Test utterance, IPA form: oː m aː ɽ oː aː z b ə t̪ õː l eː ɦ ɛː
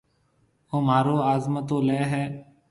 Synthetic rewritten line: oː m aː ɾ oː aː z m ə t̪ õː l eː ɦ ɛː